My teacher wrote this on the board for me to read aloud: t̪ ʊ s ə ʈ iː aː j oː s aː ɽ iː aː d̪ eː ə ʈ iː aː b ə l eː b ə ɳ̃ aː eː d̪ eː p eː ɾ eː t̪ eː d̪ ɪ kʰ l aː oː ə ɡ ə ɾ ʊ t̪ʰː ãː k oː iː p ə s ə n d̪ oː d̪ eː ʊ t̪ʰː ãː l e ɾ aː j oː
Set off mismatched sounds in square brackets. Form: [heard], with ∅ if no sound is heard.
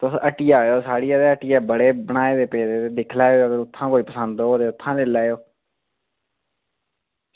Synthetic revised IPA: t̪ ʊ s ə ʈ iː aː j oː s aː ɽ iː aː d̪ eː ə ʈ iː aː b ə [ɽ] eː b ə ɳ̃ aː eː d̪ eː p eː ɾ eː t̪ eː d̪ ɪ kʰ l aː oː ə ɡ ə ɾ ʊ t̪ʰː ãː k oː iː p ə s ə n d̪ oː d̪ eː ʊ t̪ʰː ãː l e [l] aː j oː